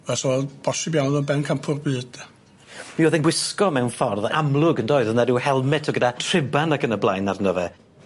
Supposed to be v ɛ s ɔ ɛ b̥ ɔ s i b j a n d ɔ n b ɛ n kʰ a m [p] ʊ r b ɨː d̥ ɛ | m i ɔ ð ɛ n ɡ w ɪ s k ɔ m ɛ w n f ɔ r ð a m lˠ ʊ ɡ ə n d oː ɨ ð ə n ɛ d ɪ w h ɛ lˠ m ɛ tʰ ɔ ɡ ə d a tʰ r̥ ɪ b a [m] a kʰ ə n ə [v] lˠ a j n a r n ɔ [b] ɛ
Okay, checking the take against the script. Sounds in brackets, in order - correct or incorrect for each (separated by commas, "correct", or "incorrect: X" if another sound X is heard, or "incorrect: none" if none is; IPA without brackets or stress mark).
incorrect: pʰ, incorrect: n, incorrect: b, incorrect: v